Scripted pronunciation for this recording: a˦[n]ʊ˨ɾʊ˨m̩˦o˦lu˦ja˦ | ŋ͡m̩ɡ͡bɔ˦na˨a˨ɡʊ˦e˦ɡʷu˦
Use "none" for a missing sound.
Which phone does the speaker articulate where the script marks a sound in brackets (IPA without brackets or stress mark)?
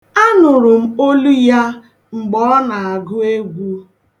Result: n